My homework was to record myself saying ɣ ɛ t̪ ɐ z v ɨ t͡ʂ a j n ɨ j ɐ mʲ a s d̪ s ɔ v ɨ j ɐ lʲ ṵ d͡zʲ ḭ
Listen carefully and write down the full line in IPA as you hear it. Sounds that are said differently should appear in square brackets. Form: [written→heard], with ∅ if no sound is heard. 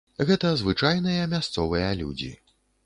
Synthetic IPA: ɣ ɛ t̪ ɐ z v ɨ t͡ʂ a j n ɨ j ɐ mʲ a s [d̪→t̪] s ɔ v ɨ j ɐ lʲ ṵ d͡zʲ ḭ